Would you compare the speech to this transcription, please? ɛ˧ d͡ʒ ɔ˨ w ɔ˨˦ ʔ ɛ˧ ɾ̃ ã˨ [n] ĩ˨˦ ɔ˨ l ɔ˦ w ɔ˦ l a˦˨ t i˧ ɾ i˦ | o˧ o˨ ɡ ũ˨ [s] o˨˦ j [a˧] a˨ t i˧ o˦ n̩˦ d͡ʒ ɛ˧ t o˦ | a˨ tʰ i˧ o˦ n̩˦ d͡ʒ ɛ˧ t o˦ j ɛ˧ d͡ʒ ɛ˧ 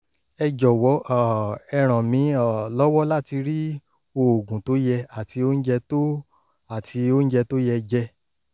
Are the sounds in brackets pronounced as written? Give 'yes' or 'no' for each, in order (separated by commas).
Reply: no, no, no